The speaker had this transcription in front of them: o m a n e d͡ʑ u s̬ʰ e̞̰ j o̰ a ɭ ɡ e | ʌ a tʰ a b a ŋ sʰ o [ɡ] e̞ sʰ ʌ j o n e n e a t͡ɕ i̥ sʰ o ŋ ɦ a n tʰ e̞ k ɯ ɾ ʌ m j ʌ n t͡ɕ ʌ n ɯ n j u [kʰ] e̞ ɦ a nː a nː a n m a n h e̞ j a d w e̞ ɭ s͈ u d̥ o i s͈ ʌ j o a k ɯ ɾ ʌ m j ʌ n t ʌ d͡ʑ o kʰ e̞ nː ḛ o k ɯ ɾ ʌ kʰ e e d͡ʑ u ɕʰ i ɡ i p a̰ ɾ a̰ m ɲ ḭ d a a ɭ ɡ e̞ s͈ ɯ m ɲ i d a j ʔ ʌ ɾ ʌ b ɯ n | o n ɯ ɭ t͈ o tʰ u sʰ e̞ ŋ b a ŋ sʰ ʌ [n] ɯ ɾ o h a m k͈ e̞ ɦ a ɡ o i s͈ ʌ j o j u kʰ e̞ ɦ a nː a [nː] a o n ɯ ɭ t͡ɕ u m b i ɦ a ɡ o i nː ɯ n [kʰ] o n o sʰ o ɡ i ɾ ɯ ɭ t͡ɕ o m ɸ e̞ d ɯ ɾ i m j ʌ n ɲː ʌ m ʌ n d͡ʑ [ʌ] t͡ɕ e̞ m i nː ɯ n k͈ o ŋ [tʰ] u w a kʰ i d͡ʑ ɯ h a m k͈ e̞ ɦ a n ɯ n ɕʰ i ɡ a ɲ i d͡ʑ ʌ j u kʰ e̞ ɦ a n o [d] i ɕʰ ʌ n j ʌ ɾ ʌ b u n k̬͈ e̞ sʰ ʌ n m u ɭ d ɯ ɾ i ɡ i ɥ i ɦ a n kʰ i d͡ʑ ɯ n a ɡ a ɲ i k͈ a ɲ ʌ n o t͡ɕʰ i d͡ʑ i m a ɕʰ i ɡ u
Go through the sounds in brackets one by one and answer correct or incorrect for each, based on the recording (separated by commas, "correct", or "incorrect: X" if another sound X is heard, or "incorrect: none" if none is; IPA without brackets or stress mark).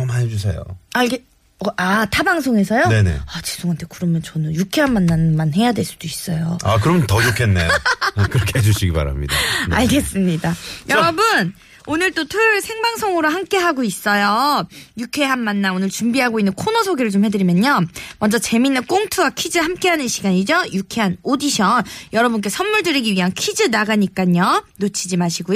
incorrect: ŋ, correct, incorrect: ŋ, correct, correct, correct, correct, correct